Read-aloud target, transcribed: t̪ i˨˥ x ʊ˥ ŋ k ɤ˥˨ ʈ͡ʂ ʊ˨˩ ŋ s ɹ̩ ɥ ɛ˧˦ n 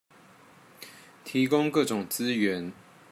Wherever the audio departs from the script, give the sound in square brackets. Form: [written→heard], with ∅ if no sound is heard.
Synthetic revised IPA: [t̪→t̪ʰ] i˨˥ [x→k] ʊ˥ ŋ k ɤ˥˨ ʈ͡ʂ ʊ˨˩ ŋ [s→t͡s] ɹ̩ ɥ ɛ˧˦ n